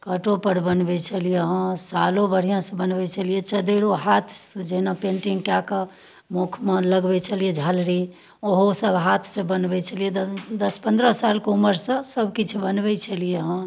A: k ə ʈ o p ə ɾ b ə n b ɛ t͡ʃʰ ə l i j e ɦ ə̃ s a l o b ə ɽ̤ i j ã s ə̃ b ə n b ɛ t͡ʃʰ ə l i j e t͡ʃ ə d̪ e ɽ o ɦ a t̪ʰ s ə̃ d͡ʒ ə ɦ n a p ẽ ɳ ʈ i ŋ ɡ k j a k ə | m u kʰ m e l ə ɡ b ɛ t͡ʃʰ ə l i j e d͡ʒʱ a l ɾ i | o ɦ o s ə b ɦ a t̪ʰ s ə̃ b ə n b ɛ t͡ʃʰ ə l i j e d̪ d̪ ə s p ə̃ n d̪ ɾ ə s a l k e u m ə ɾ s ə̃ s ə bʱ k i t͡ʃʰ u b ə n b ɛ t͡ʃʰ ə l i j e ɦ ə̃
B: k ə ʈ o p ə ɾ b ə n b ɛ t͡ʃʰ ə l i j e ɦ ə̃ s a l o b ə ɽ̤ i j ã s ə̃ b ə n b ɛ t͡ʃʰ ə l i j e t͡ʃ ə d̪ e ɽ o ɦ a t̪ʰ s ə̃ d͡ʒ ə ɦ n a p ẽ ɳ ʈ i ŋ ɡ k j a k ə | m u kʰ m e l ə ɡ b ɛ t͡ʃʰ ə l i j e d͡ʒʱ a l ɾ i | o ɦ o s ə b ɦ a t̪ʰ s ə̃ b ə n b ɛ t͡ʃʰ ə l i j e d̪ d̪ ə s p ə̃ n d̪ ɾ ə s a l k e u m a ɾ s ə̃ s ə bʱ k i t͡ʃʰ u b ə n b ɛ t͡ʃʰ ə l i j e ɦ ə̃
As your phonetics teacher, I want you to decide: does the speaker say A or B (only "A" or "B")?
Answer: A